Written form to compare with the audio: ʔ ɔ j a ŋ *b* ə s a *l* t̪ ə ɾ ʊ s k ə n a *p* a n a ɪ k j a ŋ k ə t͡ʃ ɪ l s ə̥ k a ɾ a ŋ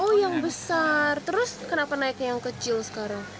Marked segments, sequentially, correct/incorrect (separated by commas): correct, incorrect, correct